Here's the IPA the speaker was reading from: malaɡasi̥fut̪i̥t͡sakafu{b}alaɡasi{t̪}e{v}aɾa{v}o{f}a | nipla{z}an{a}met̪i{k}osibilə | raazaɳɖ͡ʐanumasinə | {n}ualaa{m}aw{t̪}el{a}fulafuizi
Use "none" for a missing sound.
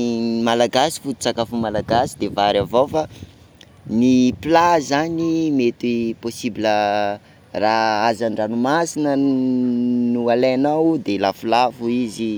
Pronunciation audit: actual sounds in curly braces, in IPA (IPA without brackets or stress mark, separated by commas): m, d̪, v, v, f, z, i, p, n, n, d̪, a